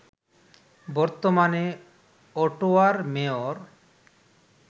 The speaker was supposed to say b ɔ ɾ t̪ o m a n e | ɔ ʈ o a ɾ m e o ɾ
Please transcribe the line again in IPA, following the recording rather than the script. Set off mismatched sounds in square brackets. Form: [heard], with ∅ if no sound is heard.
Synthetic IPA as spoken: b ɔ ɾ t̪ o m a n e | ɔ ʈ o a ɾ m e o ɾ